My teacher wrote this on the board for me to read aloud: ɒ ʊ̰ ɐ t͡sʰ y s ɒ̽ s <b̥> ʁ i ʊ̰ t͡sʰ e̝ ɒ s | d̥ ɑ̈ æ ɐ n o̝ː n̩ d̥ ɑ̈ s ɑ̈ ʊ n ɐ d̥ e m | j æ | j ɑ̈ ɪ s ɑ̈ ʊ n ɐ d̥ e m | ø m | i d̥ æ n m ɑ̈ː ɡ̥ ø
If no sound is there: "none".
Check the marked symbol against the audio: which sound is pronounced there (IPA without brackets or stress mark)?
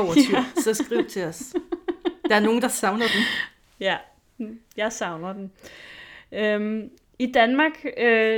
ɡ̥